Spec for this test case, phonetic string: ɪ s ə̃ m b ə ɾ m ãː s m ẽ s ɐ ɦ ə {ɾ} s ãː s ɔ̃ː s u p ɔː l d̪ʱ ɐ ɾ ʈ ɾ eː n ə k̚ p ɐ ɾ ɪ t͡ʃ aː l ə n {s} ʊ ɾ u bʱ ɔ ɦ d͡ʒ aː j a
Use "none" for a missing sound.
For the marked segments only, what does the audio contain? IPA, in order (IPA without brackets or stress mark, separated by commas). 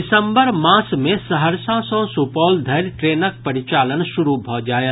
ɾ, ʃ